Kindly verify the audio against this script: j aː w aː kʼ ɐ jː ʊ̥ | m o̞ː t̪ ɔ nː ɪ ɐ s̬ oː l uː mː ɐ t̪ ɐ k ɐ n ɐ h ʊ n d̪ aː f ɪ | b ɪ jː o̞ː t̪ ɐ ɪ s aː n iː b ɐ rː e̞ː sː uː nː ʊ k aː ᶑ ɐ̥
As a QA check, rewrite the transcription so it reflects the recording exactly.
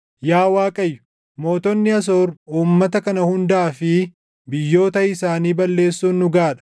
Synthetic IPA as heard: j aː w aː kʼ ɐ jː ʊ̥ | m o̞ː t̪ ɔ nː ɪ ɐ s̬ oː ɾ uː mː ɐ t̪ ɐ k ɐ n ɐ h ʊ n d̪ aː f ɪ | b ɪ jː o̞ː t̪ ɐ ɪ s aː n iː b ɐ lː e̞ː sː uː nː ʊ ɡ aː ᶑ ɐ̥